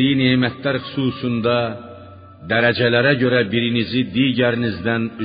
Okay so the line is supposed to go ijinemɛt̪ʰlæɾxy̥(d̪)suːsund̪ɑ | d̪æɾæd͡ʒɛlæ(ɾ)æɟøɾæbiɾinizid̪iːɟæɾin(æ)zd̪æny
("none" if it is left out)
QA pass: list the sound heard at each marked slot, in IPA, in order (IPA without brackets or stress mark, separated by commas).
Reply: none, ɾ, i